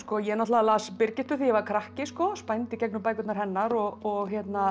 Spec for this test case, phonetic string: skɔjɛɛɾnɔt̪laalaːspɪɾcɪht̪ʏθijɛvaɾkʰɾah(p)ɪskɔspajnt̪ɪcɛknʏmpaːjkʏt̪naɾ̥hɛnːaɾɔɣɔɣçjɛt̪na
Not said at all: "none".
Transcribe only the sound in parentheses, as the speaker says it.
c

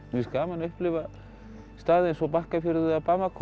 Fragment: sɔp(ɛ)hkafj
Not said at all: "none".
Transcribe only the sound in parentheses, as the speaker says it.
a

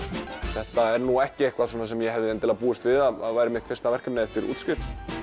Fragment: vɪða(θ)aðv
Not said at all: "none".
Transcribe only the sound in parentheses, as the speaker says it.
ð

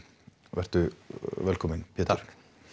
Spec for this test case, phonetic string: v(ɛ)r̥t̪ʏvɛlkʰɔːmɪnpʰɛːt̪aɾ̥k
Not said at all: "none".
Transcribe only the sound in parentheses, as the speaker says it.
ɛ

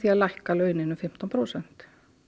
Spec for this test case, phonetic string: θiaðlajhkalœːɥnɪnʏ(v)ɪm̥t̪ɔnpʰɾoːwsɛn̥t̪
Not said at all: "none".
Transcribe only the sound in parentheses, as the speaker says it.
f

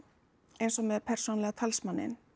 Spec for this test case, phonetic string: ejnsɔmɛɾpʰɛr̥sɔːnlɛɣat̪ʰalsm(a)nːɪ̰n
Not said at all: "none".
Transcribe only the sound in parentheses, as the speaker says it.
a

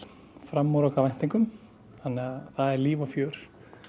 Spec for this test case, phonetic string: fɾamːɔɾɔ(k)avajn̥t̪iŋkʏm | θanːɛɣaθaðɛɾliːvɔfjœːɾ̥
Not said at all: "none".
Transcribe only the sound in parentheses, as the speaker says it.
k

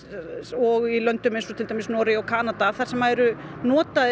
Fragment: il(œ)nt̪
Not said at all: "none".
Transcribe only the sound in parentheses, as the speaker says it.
œ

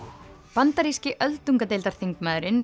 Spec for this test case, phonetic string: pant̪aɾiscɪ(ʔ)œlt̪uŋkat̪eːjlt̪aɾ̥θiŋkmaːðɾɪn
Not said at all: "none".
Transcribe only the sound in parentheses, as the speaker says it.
ʔ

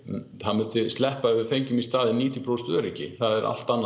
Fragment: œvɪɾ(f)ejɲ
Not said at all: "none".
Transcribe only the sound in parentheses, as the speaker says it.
f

